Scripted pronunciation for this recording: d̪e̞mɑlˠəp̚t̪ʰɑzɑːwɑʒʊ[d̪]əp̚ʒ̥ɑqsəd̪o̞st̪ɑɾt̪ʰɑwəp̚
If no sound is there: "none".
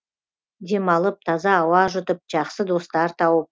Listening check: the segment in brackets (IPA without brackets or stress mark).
t̪